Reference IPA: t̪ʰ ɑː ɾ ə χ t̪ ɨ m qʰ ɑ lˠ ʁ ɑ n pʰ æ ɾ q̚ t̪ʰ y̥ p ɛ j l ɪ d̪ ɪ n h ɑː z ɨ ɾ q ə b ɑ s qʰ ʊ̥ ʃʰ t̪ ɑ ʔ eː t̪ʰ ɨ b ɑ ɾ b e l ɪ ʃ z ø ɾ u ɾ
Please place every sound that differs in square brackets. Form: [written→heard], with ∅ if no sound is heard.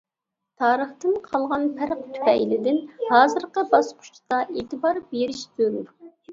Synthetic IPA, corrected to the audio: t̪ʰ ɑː ɾ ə χ t̪ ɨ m qʰ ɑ lˠ ʁ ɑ n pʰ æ ɾ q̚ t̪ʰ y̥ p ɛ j l ɪ d̪ ɪ n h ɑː z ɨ ɾ q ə b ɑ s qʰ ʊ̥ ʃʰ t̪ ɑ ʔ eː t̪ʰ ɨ b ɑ ɾ b e [l→ɾ] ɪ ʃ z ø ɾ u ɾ